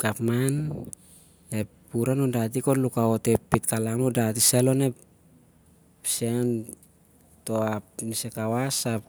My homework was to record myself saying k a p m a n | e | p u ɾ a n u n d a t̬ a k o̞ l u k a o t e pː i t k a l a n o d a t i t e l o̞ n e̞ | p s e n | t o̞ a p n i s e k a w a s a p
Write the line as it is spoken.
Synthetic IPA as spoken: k a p m a n | e | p u ɾ a n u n d a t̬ i k o̞ l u k a o t e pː i t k a l a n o d a t i s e l o̞ n e̞ | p s e n | t o̞ a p n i s e k a w a s a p